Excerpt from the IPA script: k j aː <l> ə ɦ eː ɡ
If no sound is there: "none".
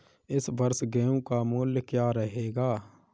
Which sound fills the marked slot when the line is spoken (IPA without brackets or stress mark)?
ɾ